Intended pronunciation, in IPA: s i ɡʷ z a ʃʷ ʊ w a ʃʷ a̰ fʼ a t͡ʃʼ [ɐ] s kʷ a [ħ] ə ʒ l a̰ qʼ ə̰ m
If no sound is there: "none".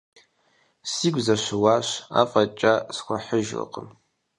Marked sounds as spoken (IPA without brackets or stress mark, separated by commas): a, ħ